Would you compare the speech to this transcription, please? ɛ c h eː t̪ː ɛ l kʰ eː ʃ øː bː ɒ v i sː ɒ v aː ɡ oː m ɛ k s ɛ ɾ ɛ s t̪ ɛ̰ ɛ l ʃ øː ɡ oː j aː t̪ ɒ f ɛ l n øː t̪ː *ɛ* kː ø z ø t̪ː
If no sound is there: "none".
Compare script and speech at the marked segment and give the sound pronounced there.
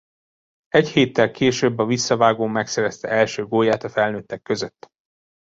ɛ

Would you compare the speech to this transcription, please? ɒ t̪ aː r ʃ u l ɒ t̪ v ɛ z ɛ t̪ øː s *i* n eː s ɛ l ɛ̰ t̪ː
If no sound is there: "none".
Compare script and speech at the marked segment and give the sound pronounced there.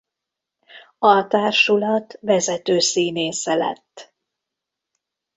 iː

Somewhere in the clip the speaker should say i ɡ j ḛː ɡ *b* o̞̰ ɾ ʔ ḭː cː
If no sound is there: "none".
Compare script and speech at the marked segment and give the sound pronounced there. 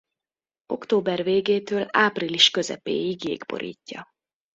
b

